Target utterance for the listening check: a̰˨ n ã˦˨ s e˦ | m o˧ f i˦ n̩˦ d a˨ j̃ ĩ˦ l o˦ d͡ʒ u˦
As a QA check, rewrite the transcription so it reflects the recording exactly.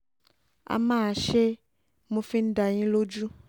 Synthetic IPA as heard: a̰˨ m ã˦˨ ʃ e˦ | m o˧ f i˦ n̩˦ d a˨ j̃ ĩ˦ l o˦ d͡ʒ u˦